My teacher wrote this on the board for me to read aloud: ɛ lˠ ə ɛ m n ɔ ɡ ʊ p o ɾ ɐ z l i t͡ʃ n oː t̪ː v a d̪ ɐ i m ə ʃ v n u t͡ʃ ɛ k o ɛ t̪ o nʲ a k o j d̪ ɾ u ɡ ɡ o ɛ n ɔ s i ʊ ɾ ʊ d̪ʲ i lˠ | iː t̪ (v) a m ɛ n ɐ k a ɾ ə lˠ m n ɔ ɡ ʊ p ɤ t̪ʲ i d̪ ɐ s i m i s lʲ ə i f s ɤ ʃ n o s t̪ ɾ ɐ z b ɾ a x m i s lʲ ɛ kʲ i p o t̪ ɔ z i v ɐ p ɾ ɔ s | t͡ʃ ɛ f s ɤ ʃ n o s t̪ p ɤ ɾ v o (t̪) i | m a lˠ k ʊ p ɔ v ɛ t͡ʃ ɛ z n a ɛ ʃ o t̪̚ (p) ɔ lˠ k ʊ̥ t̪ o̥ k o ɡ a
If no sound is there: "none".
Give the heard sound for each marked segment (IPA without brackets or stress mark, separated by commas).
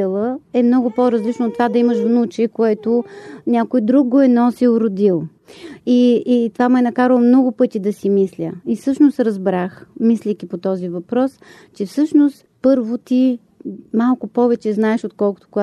v, t̪, k